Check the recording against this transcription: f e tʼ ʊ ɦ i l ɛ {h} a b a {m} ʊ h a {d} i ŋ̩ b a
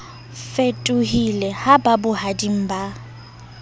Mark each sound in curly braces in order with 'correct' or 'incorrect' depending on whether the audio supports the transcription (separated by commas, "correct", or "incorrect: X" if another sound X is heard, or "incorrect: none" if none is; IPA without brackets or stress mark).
correct, incorrect: b, correct